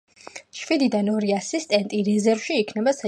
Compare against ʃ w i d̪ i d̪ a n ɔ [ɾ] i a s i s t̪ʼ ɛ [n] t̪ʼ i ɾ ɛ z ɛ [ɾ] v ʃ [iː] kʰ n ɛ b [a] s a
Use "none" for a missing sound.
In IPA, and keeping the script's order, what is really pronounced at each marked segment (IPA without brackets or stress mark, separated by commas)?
ɾ, n, ɾ, iː, a